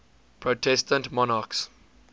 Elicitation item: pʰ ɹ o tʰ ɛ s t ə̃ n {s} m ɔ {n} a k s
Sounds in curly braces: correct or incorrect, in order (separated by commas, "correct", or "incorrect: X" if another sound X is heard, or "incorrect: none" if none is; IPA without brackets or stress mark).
incorrect: t, correct